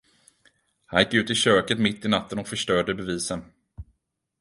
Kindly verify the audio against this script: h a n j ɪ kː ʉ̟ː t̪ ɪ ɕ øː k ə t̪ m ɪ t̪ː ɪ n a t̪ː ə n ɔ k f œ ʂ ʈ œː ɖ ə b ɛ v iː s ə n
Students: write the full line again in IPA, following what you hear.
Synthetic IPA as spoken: h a n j ɪ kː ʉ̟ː t̪ ɪ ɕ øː k ə t̪ m ɪ t̪ː ɪ n a t̪ː ə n ɔ k f œ ʂ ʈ œː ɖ ə b ɛ v iː s ə n